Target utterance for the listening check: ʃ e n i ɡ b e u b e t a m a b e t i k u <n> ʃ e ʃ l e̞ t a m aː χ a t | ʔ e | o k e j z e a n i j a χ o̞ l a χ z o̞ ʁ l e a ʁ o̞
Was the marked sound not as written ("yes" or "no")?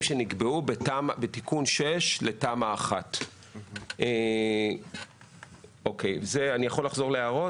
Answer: no